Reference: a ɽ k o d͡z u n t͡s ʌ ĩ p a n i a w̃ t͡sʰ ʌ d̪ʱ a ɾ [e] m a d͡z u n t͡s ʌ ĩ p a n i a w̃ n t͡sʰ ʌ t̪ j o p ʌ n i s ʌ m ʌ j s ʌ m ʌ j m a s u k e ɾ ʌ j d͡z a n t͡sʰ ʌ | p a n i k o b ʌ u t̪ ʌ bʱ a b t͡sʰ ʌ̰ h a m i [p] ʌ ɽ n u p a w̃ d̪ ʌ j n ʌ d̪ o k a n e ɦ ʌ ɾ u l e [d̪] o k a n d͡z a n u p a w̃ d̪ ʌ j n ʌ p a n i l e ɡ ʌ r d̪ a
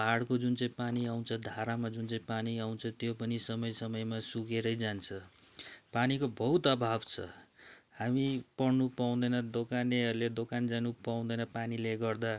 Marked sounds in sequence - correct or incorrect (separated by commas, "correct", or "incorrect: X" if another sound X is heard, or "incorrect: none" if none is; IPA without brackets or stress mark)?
incorrect: a, correct, correct